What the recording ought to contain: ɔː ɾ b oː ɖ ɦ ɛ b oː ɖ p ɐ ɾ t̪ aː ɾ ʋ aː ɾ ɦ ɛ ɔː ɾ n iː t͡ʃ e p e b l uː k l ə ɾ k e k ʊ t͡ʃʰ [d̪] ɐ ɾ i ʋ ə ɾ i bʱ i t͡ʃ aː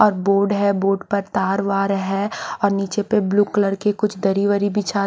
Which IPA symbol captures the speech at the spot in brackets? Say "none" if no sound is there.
d̪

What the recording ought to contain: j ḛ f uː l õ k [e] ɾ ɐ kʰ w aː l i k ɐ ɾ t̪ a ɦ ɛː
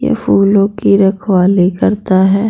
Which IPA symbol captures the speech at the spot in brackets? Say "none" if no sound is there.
i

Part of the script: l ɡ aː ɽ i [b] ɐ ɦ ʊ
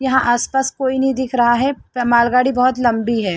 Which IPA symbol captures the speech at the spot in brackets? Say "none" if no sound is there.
b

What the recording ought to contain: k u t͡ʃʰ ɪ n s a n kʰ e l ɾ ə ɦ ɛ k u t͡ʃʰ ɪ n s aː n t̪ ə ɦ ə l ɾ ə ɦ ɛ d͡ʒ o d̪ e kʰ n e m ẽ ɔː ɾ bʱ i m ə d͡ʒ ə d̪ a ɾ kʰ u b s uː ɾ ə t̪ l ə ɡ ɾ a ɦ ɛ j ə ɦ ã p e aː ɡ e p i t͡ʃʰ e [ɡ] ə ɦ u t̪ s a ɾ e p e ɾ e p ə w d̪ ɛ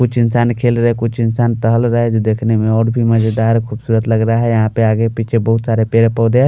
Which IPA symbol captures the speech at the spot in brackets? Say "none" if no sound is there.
b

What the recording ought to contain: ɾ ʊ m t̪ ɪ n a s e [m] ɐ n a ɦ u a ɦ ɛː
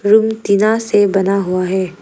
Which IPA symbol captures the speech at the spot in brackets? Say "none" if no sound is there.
b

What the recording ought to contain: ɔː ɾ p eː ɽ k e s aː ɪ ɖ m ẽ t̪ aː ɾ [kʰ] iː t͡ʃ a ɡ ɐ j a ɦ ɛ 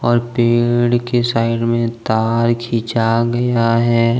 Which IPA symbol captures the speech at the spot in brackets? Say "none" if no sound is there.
kʰ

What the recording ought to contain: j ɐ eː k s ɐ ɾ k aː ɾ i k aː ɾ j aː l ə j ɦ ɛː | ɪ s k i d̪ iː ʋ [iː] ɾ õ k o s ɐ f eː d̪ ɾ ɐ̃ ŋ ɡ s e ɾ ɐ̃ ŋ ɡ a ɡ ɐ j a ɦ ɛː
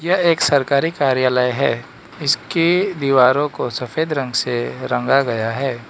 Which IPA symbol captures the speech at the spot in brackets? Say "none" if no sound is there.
aː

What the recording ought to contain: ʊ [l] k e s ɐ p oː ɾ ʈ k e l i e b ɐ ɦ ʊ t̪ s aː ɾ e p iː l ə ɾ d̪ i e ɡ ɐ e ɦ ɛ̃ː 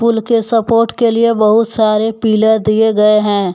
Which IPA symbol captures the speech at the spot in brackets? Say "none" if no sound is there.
l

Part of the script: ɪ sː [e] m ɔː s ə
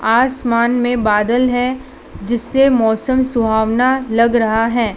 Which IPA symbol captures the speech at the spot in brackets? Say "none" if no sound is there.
e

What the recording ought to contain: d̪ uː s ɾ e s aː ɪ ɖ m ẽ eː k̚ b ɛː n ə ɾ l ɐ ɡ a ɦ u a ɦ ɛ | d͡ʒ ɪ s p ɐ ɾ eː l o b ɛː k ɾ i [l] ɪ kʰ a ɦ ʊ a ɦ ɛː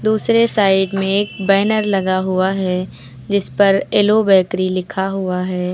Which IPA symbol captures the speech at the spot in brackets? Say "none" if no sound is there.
l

